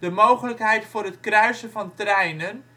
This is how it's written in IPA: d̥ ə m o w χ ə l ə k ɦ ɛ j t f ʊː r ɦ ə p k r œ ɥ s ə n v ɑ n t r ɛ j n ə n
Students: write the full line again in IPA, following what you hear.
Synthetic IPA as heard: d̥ ə m o w χ ə l ə k ɦ ɛ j t f ʊː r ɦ ə t k r œ ɥ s ə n v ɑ n t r ɛ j n ə n